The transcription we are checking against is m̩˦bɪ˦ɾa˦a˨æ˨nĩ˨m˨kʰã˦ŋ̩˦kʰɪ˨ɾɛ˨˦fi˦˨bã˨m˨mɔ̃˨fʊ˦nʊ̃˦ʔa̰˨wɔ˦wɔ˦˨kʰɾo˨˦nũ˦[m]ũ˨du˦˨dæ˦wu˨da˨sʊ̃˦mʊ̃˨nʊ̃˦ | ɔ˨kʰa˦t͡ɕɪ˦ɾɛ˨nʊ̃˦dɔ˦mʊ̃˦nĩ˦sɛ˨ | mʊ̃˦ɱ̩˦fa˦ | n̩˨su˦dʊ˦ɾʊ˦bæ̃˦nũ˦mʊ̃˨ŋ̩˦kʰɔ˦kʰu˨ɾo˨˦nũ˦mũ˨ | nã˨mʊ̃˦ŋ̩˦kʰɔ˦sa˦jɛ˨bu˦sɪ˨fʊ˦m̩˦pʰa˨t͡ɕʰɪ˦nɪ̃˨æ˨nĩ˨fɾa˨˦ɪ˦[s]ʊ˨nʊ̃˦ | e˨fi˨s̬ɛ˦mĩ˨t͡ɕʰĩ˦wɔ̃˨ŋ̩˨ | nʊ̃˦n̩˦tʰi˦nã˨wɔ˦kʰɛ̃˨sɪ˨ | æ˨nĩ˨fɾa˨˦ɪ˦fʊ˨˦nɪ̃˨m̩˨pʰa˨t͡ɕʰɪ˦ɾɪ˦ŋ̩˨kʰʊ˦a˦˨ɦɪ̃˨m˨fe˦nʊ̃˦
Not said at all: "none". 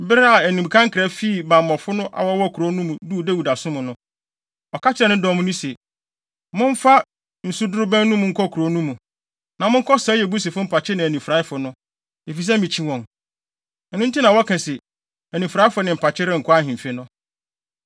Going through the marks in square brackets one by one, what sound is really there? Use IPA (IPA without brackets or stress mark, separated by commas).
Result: m, f